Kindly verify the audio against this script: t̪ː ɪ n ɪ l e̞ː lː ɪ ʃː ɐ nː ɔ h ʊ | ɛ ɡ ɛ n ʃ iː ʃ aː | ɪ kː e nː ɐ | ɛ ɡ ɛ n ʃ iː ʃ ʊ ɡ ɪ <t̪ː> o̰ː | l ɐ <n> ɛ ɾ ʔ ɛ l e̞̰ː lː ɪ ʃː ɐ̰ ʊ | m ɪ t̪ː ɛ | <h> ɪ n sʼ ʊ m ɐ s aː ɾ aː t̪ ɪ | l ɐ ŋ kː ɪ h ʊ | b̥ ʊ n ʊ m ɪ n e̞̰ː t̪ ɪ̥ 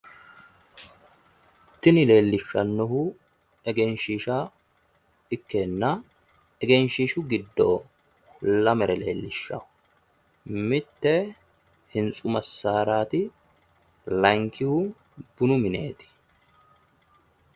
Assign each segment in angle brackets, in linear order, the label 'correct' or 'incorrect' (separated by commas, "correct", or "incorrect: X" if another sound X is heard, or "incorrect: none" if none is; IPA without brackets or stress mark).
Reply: incorrect: d̪ː, incorrect: m, correct